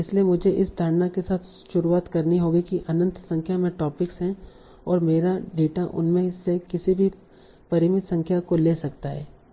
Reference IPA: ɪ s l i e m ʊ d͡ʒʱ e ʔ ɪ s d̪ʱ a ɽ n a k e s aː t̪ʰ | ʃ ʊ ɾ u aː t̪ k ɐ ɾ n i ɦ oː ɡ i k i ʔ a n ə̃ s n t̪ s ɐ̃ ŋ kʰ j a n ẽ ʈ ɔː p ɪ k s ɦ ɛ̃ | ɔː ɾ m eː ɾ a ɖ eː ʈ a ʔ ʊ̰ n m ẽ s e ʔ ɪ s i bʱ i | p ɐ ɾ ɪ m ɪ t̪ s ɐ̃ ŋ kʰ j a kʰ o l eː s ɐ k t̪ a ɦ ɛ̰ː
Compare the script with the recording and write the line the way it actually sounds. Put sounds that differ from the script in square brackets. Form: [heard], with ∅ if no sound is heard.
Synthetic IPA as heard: ɪ s l i e m ʊ d͡ʒʱ e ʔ ɪ s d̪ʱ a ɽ n a k e s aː t̪ʰ | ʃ ʊ ɾ u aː t̪ k ɐ ɾ n i ɦ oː ɡ i k i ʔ [ɐ] n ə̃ [∅] n t̪ s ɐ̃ ŋ kʰ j a [m] ẽ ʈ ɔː p ɪ k s ɦ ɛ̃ | ɔː ɾ m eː ɾ a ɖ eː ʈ a ʔ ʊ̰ n m ẽ s e [k] ɪ s i bʱ i | p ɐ ɾ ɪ m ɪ t̪ s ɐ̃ ŋ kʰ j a [k] o l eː s ɐ k t̪ a ɦ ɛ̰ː